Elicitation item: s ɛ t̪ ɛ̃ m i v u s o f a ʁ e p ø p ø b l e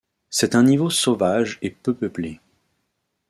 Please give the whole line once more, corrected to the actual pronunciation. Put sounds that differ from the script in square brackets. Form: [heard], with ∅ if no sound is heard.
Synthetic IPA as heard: s ɛ t̪ ɛ̃ [n] i v [o] s o [v] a [ʒ] e p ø p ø [p] l e